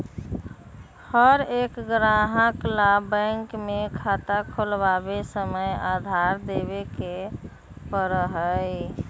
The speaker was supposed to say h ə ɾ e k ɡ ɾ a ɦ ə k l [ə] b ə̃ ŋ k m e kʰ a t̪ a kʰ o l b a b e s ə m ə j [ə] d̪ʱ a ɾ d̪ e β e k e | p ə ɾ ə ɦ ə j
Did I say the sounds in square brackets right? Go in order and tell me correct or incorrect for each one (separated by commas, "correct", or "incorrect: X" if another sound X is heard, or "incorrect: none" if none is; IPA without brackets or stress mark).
incorrect: a, incorrect: a